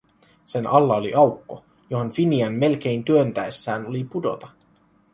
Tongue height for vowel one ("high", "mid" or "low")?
mid